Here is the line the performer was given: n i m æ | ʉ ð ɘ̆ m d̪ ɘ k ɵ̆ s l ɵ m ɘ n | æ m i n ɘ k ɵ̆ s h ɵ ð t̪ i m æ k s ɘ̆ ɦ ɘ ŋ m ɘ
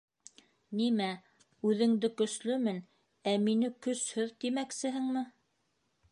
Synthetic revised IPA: n i m æ | ʉ ð ɘ̆ ŋ d̪ ɘ k ɵ̆ s l ɵ m ɘ n | æ m i n ɘ k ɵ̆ s h ɵ ð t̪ i m æ k s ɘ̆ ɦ ɘ ŋ m ɘ